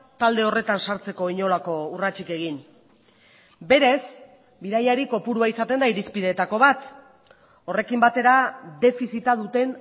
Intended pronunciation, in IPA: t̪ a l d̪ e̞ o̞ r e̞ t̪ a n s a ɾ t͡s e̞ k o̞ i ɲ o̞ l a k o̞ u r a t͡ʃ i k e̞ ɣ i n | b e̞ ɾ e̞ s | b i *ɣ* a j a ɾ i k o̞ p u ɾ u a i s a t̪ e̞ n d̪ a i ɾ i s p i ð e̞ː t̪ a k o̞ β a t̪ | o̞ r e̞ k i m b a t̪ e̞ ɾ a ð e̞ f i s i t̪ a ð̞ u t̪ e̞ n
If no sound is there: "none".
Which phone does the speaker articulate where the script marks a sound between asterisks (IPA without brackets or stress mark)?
ð